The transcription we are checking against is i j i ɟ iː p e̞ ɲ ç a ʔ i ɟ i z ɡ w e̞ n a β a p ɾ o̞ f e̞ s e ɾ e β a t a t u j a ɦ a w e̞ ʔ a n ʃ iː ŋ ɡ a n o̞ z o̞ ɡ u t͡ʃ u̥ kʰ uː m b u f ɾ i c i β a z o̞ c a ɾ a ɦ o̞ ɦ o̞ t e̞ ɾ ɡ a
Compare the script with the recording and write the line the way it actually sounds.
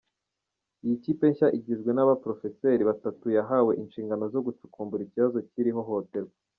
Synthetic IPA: i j i c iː p e̞ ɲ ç a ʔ i ɟ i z ɡ w e̞ n a β a p ɾ o̞ f e̞ s e ɾ i β a t a t u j a ɦ a w e̞ ʔ i n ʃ iː ŋ ɡ a n o̞ z o̞ ɡ u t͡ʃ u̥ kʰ uː m b u ɾ i c i β a z o̞ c i ɾ i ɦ o̞ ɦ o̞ t e̞ ɾ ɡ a